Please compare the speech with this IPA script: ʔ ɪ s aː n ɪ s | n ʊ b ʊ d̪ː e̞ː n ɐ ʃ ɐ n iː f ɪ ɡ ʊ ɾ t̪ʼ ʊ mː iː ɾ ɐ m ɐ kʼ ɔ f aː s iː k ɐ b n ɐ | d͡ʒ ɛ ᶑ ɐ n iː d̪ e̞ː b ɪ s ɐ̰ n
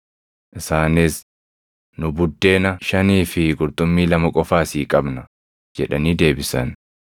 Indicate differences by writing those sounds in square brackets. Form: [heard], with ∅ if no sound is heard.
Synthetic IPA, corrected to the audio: ʔ ɪ s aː n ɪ s | n ʊ b ʊ d̪ː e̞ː n ɐ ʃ ɐ n iː f ɪ ɡ ʊ ɾ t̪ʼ ʊ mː iː [l] ɐ m ɐ kʼ ɔ f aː s iː [kʼ] ɐ b n ɐ | d͡ʒ ɛ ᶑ ɐ n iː d̪ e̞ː b ɪ s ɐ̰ n